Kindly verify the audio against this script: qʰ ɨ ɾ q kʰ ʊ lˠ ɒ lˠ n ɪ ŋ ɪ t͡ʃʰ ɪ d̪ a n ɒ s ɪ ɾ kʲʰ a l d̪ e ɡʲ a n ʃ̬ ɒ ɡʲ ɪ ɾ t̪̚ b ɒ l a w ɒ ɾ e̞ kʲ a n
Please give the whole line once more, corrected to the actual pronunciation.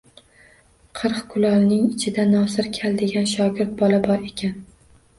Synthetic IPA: qʰ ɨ ɾ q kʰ ʊ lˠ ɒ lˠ n ɪ ŋ ɪ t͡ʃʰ ɪ d̪ a n ɒ s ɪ ɾ kʲʰ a l d̪ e ɡʲ a n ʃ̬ ɒ ɡʲ ɪ ɾ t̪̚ b ɒ l a b ɒ ɾ e̞ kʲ a n